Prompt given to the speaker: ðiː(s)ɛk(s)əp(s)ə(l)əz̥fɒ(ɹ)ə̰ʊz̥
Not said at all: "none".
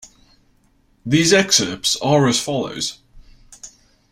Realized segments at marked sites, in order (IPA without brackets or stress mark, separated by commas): z, s, s, ɹ, l